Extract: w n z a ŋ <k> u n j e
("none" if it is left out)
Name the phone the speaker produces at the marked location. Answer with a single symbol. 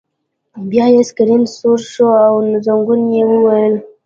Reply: ɡ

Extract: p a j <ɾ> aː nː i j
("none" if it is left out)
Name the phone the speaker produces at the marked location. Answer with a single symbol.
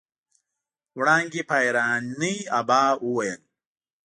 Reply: ɾ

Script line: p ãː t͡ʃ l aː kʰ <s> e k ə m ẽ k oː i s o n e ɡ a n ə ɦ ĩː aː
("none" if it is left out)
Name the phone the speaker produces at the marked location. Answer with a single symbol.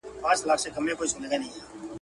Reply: s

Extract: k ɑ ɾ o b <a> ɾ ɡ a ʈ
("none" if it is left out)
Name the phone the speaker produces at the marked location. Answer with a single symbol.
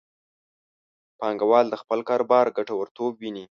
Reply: ɑ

